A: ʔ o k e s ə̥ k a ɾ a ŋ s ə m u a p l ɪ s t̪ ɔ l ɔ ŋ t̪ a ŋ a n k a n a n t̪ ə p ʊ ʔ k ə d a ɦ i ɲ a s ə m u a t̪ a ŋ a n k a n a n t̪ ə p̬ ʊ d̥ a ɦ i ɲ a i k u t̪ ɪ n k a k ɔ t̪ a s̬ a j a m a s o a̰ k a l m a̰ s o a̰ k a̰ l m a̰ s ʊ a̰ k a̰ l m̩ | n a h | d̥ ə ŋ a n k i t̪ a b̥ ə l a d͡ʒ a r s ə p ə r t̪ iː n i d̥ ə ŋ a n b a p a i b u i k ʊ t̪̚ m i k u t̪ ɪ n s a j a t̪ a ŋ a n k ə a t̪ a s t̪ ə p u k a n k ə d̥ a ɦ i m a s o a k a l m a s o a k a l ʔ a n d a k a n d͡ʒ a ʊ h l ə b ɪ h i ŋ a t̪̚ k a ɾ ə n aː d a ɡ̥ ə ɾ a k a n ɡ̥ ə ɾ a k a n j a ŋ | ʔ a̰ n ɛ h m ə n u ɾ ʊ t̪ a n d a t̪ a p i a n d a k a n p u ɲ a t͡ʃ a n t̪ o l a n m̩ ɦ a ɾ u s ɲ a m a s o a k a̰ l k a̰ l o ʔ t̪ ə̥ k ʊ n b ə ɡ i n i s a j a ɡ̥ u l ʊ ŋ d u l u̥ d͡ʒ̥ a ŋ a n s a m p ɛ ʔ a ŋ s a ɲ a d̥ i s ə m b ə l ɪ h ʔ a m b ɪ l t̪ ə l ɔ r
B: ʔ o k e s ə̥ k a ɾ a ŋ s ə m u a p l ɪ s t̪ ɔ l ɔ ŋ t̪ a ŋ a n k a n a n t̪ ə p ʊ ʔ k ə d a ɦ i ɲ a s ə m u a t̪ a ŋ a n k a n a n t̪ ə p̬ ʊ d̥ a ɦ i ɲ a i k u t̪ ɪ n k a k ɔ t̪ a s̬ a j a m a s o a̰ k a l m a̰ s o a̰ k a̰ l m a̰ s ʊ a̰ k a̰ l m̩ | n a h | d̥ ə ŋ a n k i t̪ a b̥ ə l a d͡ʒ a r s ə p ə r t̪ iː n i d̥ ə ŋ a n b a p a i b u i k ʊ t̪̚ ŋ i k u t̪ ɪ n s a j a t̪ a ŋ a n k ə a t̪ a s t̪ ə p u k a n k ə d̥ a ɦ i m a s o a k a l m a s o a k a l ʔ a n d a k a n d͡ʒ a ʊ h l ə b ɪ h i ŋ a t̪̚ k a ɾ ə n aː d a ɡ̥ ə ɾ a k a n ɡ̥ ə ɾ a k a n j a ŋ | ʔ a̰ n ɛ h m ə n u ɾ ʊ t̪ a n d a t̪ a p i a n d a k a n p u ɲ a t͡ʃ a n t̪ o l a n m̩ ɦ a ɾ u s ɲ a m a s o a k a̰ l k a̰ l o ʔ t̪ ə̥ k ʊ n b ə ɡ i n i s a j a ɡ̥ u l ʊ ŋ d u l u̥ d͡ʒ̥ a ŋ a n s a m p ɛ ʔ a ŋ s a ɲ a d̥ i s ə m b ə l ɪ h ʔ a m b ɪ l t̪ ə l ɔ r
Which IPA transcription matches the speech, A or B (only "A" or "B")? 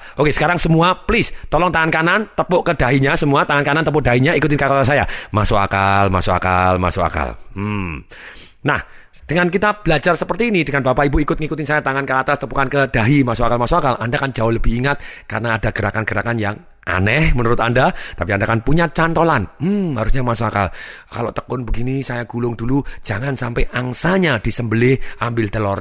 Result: B